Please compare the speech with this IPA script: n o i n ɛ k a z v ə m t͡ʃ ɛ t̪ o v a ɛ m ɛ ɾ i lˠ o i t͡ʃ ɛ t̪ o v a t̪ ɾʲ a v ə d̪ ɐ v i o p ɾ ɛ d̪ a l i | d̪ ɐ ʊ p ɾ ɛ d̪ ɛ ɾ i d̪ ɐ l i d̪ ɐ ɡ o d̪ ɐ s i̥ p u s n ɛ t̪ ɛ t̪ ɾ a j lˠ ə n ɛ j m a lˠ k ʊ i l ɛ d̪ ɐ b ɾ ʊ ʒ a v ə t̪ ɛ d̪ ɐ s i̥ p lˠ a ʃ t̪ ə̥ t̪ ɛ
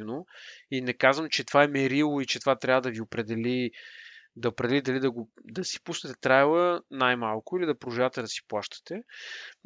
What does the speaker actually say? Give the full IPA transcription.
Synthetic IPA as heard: n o i n ɛ k a z v ə m t͡ʃ ɛ t̪ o v a ɛ m ɛ ɾ i lˠ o i t͡ʃ ɛ t̪ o v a t̪ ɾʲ a v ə d̪ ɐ v i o p ɾ ɛ d̪ ɛ l i | d̪ ɐ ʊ p ɾ ɛ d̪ ɛ l i d̪ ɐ l i d̪ ɐ ɡ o d̪ ɐ s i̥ p u s n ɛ t̪ ɛ t̪ ɾ a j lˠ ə n a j m a lˠ k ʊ i l i d̪ ɐ p ɾ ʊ ʒ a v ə t̪ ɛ d̪ ɐ s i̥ p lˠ a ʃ t̪ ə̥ t̪ ɛ